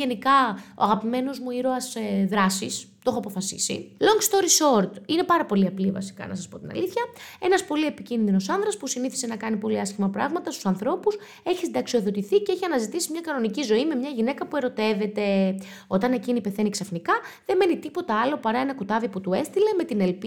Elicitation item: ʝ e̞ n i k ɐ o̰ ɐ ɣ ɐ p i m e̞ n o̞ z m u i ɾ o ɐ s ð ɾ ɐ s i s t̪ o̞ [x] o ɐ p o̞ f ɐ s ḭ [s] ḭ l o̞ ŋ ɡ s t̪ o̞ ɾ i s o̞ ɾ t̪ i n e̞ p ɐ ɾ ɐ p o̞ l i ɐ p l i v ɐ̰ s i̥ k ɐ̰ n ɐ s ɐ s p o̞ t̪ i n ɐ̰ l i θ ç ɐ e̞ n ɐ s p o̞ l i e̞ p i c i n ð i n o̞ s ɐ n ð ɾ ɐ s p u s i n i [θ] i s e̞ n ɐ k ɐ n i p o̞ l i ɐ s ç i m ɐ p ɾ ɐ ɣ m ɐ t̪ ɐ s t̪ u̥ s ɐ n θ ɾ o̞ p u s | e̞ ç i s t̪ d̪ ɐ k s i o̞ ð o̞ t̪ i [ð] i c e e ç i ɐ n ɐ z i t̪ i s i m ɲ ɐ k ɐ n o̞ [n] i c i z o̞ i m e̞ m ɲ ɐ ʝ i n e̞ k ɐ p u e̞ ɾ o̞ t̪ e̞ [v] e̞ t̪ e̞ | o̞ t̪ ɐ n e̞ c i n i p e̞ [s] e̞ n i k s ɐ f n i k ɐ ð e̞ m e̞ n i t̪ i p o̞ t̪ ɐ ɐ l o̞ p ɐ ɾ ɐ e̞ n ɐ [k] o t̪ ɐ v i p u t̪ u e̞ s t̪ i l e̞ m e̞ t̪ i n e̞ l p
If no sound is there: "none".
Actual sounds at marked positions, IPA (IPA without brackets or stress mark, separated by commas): x, s, θ, θ, n, v, θ, k